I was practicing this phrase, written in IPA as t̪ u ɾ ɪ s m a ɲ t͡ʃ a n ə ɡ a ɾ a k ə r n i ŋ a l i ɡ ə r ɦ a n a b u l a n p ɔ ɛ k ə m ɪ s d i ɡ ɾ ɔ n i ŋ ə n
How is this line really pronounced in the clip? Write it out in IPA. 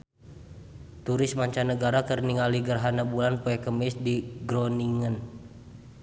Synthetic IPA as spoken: t̪ u ɾ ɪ s m a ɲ t͡ʃ a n ə ɡ a ɾ a k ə r n i ŋ a l i ɡ ə r ɦ a n a b u l a n p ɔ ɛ k ə m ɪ s d i ɡ ɾ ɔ n i ŋ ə n